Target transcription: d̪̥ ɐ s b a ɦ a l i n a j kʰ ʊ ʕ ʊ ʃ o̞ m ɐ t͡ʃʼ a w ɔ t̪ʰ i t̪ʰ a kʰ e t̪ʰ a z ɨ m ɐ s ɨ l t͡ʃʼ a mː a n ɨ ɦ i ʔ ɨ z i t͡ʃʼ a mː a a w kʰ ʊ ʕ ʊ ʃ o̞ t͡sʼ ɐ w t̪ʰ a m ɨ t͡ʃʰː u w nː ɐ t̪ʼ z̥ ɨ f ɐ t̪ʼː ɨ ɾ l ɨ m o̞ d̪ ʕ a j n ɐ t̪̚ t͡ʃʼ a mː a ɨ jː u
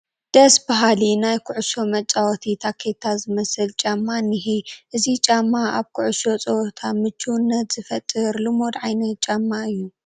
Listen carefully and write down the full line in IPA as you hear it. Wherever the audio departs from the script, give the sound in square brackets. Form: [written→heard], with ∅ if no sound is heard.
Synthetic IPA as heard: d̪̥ ɐ s b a ɦ a l i n a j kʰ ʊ ʕ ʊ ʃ o̞ m ɐ t͡ʃʼ a w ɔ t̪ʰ i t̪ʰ a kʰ e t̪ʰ a z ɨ m ɐ s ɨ l t͡ʃʼ a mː a n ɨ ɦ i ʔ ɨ z i t͡ʃʼ a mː a a [w→β] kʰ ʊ ʕ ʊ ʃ o̞ t͡sʼ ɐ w t̪ʰ a m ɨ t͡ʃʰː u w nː ɐ [t̪ʼ→t̪] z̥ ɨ f ɐ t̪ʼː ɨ ɾ l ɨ m o̞ d̪ ʕ a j n ɐ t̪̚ t͡ʃʼ a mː a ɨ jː u

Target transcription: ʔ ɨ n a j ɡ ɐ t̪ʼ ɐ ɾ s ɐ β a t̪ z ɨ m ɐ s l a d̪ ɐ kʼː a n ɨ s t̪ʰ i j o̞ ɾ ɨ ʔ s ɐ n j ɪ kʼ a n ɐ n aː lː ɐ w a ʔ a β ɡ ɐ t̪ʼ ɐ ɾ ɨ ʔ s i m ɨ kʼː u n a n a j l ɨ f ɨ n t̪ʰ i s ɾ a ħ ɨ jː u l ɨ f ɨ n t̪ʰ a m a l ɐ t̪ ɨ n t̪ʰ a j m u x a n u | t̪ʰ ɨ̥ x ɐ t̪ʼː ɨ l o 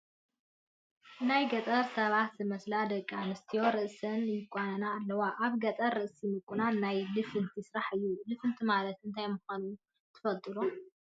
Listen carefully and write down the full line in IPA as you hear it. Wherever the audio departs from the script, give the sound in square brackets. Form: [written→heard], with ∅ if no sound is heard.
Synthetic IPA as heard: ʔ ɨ n a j ɡ ɐ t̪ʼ ɐ ɾ s ɐ β a t̪ z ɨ m ɐ s l a d̪ ɐ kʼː a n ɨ s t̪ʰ i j o̞ ɾ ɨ ʔ s ɐ n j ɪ kʼ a n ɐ n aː lː ɐ w a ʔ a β ɡ ɐ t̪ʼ ɐ ɾ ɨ ʔ s i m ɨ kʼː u n a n a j l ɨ f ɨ n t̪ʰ i s ɾ a ħ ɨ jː u l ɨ f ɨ n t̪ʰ [a→i] m a l ɐ t̪ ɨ n t̪ʰ a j m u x a n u | t̪ʰ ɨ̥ [x→f] ɐ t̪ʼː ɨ l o

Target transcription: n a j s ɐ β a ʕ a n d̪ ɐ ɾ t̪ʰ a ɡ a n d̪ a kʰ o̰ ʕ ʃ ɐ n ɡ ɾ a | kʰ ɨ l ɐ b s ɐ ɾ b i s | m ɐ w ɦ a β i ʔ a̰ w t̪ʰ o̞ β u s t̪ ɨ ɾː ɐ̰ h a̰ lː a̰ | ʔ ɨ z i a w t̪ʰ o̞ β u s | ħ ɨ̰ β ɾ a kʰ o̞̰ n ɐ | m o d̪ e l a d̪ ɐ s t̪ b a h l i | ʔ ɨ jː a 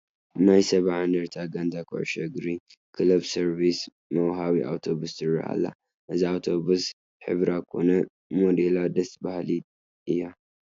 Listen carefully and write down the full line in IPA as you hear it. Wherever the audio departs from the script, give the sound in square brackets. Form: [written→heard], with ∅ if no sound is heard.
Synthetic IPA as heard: n a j s ɐ β a ʕ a n d̪ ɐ ɾ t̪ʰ a ɡ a n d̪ a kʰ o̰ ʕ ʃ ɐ [n→∅] ɡ ɾ [a→i] | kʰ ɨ l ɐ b s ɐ ɾ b i s | m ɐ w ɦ a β i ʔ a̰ w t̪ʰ o̞ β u s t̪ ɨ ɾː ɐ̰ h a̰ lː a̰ | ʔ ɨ z i a w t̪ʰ o̞ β u s | ħ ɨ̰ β ɾ a kʰ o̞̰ n ɐ | m o d̪ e l a d̪ ɐ s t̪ b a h l i | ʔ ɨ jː a

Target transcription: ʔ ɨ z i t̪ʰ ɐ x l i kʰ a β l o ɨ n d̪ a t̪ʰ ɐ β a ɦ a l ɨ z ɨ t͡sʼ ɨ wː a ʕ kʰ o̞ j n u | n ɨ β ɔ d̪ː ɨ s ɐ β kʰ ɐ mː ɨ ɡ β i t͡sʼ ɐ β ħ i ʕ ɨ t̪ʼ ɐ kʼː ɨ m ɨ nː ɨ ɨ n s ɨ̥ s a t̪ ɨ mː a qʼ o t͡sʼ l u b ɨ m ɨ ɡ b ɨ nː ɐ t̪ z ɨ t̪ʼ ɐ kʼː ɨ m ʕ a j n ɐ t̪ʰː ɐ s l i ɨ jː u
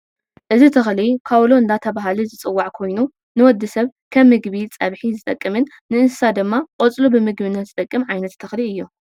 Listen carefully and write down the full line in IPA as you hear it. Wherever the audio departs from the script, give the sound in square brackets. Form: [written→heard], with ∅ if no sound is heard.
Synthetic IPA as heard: ʔ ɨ z i t̪ʰ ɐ x l i kʰ a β l o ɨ n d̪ a t̪ʰ ɐ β a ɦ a l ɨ z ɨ t͡sʼ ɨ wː a ʕ kʰ o̞ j n u | n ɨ [β→w] ɔ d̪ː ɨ s ɐ β kʰ ɐ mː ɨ ɡ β i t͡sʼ ɐ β ħ i [ʕ→z] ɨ t̪ʼ ɐ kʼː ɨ m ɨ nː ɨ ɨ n s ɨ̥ s a [t̪→d̪] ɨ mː a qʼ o t͡sʼ l u b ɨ m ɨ ɡ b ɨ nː ɐ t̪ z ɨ t̪ʼ ɐ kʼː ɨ m ʕ a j n ɐ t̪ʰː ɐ [s→x] l i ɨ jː u

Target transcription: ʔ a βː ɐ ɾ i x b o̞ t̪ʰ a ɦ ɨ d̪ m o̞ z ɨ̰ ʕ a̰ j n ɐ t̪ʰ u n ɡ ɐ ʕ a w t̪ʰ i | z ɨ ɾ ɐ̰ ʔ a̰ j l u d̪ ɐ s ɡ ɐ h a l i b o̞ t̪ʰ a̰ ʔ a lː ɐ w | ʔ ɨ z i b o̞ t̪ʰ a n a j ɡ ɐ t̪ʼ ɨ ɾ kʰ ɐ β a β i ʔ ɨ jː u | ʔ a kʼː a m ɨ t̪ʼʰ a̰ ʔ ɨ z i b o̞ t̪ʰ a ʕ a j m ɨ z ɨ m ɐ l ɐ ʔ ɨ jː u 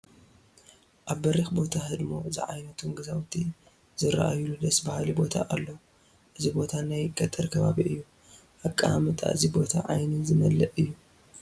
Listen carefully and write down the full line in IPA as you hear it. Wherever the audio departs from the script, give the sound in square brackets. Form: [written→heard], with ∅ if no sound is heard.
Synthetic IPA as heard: ʔ a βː ɐ ɾ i x b o̞ t̪ʰ a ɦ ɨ d̪ m o̞ z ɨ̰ ʕ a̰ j n ɐ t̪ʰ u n ɡ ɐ [ʕ→z] a w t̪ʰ i | z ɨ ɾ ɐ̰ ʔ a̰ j l u d̪ ɐ s [ɡ→b] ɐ h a l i b o̞ t̪ʰ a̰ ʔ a lː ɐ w | ʔ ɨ z i b o̞ t̪ʰ a n a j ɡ ɐ t̪ʼ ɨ ɾ kʰ ɐ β a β i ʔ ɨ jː u | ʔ a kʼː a m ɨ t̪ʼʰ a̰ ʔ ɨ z i b o̞ t̪ʰ a ʕ a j [m→n] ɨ z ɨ m ɐ l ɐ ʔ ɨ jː u

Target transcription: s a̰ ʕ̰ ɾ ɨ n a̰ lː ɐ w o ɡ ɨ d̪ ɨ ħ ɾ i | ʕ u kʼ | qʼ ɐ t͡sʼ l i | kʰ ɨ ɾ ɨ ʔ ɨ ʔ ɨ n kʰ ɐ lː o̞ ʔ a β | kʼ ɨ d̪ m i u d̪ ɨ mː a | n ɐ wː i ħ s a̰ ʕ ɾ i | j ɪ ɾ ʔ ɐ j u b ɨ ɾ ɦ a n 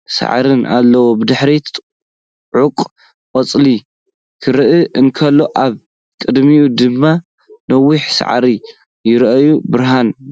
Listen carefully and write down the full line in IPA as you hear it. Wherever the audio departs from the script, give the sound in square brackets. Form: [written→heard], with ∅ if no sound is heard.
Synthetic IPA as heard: s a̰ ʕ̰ ɾ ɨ n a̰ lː ɐ w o [ɡ→b] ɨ d̪ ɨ ħ ɾ i | ʕ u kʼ | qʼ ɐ t͡sʼ l i | kʰ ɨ ɾ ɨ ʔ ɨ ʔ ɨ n kʰ ɐ lː o̞ ʔ a β | kʼ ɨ d̪ m i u d̪ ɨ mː a | n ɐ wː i ħ s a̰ ʕ ɾ i | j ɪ ɾ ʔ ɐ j u b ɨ ɾ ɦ a n

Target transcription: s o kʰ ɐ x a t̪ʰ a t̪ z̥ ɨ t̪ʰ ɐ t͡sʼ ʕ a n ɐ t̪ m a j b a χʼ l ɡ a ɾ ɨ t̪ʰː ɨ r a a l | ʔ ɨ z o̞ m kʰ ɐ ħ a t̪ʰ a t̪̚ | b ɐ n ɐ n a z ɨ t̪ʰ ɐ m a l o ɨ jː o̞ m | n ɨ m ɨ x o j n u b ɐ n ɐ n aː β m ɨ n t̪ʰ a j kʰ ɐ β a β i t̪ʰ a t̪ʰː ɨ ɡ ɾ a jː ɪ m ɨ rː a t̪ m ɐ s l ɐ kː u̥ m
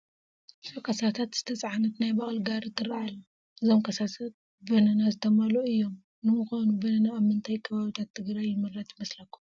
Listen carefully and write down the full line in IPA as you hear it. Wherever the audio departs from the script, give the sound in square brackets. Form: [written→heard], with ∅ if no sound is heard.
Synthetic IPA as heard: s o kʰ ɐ [x→s] a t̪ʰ a t̪ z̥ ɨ t̪ʰ ɐ t͡sʼ ʕ a n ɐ t̪ [m→n] a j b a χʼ l ɡ a ɾ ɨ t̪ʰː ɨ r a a l | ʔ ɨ z o̞ m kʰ ɐ [ħ→s] a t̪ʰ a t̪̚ | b ɐ n ɐ n a z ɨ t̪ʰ ɐ m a l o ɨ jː o̞ m | n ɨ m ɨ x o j n u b ɐ n ɐ n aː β m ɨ n t̪ʰ a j kʰ ɐ β a β i t̪ʰ a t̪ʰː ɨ ɡ ɾ a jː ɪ m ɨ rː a t̪ m ɐ s l ɐ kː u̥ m

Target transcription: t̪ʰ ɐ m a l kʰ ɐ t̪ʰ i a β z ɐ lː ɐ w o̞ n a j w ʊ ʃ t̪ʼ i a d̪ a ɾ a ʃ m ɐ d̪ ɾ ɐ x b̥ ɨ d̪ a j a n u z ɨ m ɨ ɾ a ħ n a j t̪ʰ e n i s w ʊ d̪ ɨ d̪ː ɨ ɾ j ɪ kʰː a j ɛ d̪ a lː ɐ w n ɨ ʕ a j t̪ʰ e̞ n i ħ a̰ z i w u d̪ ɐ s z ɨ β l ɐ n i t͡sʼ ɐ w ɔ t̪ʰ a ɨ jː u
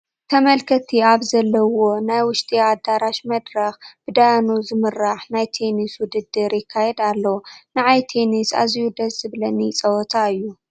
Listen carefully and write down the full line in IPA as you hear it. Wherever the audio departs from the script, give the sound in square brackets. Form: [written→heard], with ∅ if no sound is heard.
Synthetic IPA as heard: t̪ʰ ɐ m [a→ɐ] l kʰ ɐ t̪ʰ i a β z ɐ lː ɐ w o̞ n a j w ʊ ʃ t̪ʼ i a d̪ a ɾ a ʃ m ɐ d̪ ɾ ɐ x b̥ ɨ d̪ a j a n u z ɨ m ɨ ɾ a ħ n a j t̪ʰ e n i s w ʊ d̪ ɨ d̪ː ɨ ɾ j ɪ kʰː a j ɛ d̪ a lː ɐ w n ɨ ʕ a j t̪ʰ e̞ n i [ħ→s] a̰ z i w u d̪ ɐ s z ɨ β l ɐ n i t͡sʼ ɐ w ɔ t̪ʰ a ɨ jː u

